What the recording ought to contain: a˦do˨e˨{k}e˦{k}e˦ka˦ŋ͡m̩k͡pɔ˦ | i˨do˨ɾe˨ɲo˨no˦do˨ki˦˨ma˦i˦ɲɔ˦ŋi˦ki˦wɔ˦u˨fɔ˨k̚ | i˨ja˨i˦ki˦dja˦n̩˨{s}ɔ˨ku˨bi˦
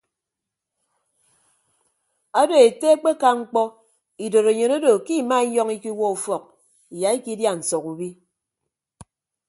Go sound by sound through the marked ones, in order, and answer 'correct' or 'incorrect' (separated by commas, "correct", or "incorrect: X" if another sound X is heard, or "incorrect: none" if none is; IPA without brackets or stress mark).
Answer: incorrect: t, incorrect: k͡p, correct